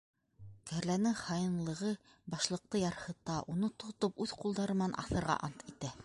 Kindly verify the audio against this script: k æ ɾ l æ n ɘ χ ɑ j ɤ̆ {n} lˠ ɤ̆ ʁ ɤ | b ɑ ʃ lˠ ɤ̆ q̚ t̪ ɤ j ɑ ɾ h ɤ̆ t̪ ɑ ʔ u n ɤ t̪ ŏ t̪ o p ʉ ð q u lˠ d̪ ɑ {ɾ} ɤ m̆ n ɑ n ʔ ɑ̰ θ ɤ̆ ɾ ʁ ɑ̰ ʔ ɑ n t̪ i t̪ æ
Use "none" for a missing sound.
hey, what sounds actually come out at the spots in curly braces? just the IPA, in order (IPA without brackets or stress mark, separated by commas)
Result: n, ɾ